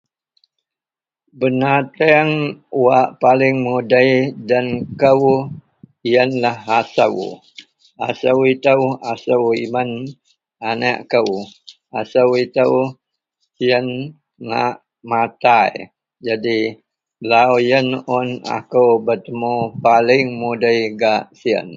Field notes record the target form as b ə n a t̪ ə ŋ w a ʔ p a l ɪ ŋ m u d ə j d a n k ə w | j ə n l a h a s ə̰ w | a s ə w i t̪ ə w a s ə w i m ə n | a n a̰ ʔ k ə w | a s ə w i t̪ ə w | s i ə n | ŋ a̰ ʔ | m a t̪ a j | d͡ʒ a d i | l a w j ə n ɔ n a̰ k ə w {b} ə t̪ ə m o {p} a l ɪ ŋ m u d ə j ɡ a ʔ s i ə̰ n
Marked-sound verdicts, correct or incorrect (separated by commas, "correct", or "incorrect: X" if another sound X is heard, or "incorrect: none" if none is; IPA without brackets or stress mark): correct, correct